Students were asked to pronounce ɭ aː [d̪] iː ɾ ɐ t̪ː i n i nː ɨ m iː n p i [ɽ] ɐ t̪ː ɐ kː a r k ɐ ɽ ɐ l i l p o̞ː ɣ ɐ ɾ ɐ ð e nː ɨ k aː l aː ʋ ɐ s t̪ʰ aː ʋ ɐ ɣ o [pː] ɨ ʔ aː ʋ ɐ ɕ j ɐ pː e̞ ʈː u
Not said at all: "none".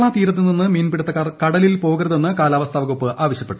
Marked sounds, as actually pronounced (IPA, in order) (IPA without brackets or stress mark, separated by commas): t̪, ɽ, pː